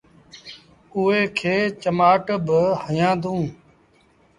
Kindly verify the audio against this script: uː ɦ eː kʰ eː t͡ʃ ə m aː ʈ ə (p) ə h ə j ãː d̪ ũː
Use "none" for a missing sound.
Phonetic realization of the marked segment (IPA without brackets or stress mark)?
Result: b